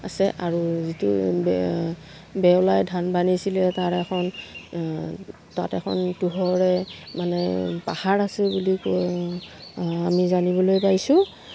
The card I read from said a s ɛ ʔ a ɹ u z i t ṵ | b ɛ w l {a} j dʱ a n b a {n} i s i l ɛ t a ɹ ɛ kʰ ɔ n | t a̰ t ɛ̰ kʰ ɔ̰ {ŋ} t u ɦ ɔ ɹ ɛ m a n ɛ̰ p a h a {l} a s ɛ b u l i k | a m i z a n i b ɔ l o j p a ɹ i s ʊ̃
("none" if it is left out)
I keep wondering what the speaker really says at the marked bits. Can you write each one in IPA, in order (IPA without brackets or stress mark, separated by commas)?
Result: a, n, n, ɹ